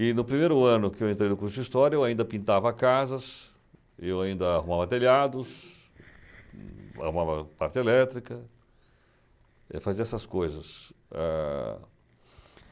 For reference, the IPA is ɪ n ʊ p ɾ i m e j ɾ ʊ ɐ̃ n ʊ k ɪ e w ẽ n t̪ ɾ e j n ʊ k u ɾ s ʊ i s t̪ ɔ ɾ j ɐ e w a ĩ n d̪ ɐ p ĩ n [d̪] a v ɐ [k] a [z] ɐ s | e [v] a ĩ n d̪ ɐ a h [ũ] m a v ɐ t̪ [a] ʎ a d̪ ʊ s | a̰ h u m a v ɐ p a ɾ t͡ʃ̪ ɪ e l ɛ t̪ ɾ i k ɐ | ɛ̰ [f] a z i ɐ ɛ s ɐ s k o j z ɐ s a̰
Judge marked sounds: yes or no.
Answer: no, yes, yes, no, no, no, yes

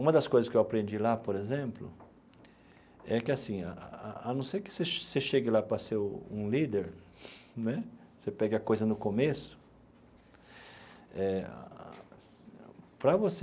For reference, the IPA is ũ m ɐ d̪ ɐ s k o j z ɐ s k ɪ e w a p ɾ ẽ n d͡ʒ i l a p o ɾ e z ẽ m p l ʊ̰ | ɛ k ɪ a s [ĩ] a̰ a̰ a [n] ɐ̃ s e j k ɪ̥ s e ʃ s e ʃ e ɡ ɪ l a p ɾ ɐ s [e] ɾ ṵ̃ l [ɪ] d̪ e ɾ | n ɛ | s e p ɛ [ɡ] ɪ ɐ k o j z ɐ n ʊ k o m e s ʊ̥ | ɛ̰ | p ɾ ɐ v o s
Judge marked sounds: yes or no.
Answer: yes, yes, yes, no, yes

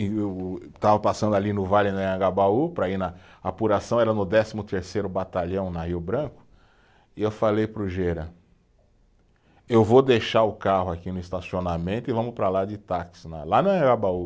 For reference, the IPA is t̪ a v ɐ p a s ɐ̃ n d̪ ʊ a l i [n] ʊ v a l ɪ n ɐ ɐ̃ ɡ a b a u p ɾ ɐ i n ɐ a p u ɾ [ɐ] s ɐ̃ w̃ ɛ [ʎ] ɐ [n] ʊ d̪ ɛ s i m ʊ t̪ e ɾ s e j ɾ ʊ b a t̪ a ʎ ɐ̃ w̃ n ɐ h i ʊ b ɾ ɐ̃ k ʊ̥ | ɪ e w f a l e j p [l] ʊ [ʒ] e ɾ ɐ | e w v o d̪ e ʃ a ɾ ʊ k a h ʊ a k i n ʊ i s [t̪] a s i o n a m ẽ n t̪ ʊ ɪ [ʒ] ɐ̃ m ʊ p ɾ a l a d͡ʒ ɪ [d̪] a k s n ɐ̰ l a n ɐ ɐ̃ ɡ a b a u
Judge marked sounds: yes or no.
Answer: yes, no, no, yes, no, yes, yes, no, no

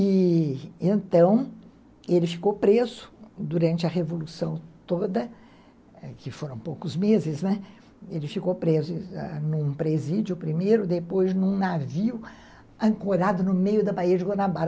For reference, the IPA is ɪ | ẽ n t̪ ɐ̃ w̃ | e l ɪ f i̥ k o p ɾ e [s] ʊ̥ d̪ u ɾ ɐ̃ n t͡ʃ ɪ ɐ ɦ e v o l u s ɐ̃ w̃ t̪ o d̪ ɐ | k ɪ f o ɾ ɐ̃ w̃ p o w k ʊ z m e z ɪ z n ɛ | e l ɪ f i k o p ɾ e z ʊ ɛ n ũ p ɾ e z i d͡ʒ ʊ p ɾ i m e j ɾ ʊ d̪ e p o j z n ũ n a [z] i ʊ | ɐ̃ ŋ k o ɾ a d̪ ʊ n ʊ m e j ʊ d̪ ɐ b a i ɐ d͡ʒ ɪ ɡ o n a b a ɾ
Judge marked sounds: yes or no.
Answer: no, no

